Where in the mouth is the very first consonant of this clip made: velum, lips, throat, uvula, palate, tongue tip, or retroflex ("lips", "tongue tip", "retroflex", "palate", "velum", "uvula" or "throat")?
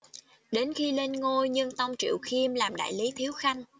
tongue tip